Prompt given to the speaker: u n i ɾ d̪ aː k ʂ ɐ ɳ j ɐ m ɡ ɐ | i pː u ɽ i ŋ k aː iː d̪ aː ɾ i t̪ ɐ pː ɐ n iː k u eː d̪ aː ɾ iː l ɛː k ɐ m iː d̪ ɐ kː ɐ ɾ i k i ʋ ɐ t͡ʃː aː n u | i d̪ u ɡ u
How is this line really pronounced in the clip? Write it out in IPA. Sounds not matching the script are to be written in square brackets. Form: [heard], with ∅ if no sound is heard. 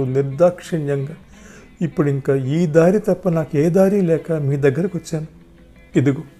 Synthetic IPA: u n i ɾ d̪ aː k ʂ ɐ ɳ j ɐ [ŋ] ɡ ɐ | i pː u ɽ i ŋ k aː iː d̪ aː ɾ i t̪ ɐ pː ɐ n [aː] k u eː d̪ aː ɾ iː l ɛː k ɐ m iː d̪ ɐ [ɡː] ɐ ɾ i k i ʋ ɐ t͡ʃː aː n u | i d̪ u ɡ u